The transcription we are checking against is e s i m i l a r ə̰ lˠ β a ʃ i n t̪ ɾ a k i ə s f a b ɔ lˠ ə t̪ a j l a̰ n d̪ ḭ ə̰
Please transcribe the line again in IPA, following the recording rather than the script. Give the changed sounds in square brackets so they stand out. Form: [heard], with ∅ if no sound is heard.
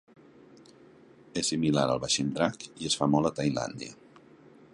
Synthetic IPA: e s i m i l a [ɾ] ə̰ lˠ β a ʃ i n [d̪] ɾ a k i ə s f a [m] ɔ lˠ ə t̪ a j l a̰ n d̪ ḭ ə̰